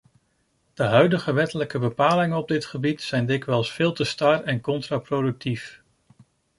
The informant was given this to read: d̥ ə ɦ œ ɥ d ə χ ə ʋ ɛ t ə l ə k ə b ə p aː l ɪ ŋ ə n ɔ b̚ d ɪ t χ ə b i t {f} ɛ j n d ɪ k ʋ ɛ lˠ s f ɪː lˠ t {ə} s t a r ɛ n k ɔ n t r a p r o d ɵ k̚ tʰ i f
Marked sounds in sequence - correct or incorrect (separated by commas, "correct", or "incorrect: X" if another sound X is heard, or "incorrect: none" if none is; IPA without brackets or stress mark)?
incorrect: s, correct